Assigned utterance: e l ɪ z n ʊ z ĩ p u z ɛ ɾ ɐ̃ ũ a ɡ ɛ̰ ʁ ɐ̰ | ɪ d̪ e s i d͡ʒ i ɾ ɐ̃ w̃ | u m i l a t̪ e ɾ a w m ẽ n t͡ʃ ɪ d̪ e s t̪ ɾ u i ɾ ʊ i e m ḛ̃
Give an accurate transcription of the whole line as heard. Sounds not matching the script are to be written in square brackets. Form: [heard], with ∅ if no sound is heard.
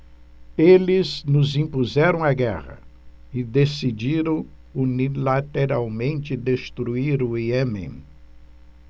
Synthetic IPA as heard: e l ɪ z n ʊ z ĩ p u z ɛ ɾ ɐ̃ [w̃] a ɡ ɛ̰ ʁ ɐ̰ | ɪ d̪ e s i d͡ʒ i ɾ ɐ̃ w̃ | u [n] i l a t̪ e ɾ a w m ẽ n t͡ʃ ɪ d̪ e s t̪ ɾ u i ɾ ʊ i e m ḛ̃